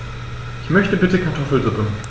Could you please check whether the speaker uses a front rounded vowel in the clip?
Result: yes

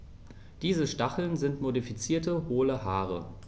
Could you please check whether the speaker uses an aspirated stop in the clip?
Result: no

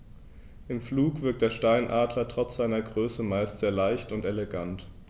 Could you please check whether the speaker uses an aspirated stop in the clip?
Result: no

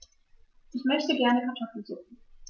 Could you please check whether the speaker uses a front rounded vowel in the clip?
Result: yes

